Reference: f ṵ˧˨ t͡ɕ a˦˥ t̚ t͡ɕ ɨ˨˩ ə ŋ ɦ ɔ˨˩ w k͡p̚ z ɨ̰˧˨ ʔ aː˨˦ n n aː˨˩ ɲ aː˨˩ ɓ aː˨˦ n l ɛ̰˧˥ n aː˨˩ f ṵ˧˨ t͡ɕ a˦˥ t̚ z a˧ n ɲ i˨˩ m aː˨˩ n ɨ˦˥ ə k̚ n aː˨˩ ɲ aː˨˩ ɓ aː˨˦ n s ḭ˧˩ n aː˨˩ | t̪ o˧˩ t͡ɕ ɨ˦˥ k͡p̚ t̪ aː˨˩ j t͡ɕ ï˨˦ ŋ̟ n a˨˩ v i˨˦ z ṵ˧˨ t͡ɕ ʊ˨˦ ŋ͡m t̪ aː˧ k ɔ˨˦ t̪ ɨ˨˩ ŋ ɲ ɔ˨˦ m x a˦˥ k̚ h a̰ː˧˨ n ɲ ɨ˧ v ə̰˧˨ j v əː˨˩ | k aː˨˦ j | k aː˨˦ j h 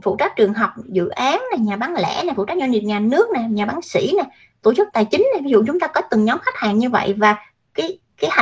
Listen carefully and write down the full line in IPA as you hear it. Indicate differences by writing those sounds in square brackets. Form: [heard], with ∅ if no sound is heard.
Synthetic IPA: f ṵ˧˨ t͡ɕ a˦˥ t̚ t͡ɕ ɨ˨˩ ə ŋ ɦ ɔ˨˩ w k͡p̚ z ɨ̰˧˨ ʔ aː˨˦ n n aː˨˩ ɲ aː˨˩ ɓ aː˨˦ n l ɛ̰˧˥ n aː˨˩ f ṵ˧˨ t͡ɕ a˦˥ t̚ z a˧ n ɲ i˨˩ [ɲ] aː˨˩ n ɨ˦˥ ə k̚ n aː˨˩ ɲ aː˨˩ ɓ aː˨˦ n s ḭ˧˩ n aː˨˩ | t̪ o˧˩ t͡ɕ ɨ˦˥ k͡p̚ t̪ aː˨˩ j t͡ɕ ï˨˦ ŋ̟ n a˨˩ v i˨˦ z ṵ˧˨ t͡ɕ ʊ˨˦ ŋ͡m t̪ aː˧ k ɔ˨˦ t̪ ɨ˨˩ ŋ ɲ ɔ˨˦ m x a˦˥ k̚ h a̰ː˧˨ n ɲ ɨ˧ v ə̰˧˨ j v [aː˨˩] | k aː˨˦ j | k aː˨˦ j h